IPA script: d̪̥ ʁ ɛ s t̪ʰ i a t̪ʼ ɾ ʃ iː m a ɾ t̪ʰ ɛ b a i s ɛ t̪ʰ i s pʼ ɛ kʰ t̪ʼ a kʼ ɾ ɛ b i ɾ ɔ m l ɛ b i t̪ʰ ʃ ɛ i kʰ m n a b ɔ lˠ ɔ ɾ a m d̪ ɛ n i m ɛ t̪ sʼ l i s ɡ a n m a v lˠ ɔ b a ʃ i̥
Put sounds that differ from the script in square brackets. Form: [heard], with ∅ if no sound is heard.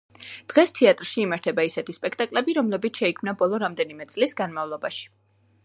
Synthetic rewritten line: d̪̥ ʁ ɛ s t̪ʰ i a t̪ʼ ɾ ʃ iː m a ɾ t̪ʰ ɛ b a i s ɛ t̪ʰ i s pʼ ɛ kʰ t̪ʼ a kʼ [l] ɛ b i ɾ ɔ m l ɛ b i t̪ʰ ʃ ɛ i kʰ m n a b ɔ lˠ ɔ ɾ a m d̪ ɛ n i m ɛ t̪ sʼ l i s ɡ a n m a v lˠ ɔ b a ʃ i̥